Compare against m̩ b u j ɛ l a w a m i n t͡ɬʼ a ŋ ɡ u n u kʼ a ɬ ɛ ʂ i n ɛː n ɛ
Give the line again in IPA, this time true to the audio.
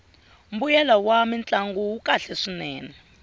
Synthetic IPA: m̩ b u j ɛ l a w a m i n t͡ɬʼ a ŋ ɡ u u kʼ a ɬ ɛ ʂ i n ɛː n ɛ